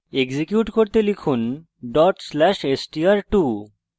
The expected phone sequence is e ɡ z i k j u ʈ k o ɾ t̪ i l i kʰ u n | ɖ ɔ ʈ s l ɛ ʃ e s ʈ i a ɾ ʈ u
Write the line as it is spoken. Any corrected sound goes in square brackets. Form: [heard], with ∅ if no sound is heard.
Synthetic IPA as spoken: e ɡ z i k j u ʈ k o ɾ t̪ [e] l i kʰ u n | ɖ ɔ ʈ s l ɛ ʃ e s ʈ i a ɾ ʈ u